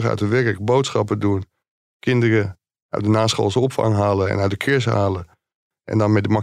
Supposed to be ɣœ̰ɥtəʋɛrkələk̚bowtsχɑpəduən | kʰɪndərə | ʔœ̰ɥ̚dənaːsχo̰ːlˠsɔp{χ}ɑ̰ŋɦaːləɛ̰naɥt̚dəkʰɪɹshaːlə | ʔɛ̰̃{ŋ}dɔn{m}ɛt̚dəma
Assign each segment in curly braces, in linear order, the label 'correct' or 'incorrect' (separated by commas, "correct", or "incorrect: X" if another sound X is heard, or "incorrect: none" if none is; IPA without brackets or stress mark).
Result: incorrect: f, incorrect: n, correct